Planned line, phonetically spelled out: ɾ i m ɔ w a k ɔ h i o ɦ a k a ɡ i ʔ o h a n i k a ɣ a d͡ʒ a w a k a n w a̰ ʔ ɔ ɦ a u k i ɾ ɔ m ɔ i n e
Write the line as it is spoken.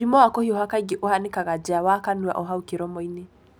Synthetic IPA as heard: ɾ i m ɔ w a k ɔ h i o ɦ a k a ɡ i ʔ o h a n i k a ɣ a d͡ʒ a w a k a n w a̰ ʔ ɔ ɦ a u k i ɾ ɔ m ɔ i n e